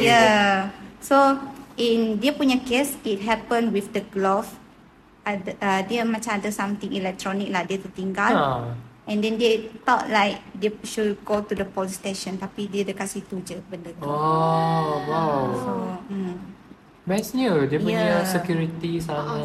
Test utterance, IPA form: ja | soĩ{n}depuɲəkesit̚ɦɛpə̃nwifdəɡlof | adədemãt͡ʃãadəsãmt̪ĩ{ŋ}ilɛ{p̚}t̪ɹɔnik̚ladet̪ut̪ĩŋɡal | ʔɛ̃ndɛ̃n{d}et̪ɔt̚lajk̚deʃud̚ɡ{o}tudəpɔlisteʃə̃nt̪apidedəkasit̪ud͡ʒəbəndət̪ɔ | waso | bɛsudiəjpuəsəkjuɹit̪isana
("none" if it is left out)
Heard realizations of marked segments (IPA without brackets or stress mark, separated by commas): n, ŋ, k̚, d, o